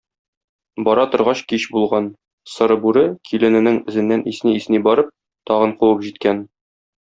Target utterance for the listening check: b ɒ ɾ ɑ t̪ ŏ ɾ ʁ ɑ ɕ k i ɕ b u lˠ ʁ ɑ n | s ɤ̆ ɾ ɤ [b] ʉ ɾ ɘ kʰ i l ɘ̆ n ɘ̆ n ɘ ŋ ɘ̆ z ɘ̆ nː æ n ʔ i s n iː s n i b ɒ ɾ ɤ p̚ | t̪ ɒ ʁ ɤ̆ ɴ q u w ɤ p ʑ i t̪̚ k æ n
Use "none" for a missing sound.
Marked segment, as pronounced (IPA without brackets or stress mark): b